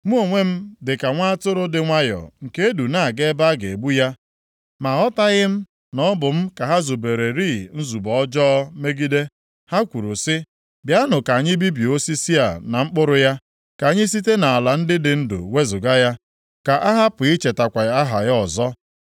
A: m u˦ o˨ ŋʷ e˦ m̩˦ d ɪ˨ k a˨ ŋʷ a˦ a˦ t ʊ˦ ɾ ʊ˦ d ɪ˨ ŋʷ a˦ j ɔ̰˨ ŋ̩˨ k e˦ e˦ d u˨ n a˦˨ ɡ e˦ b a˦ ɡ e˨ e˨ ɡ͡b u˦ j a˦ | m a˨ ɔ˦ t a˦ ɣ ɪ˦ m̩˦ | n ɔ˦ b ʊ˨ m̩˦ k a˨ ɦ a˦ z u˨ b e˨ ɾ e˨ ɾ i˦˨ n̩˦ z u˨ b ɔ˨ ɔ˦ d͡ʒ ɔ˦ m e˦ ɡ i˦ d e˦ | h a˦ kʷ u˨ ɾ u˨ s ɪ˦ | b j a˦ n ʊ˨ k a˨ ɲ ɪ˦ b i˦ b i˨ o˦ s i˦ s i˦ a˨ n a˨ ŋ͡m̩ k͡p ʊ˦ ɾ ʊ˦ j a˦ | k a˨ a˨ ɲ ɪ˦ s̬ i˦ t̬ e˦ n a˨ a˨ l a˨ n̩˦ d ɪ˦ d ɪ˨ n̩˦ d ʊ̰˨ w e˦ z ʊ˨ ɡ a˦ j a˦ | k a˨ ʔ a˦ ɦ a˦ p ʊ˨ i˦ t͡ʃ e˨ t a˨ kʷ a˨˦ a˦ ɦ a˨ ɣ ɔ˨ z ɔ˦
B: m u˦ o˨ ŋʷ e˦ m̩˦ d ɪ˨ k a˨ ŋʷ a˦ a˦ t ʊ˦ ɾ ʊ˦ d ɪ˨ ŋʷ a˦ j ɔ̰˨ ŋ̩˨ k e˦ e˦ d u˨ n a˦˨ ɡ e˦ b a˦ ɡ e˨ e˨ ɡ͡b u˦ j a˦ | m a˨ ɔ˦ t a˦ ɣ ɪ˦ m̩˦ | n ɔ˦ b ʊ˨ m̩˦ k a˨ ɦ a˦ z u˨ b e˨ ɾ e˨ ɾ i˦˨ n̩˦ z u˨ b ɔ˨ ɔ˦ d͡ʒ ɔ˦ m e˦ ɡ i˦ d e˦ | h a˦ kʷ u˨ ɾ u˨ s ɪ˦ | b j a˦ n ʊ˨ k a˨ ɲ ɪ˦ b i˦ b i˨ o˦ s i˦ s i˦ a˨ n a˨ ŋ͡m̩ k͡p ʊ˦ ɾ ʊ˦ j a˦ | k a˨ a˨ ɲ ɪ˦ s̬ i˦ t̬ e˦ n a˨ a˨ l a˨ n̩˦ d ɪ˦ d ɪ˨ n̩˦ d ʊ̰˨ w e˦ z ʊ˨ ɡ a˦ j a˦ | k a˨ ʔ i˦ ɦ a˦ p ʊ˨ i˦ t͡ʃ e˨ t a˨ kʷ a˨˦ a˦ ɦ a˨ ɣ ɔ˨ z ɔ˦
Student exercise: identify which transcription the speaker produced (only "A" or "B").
A